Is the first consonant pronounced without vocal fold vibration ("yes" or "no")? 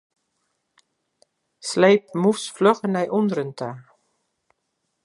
yes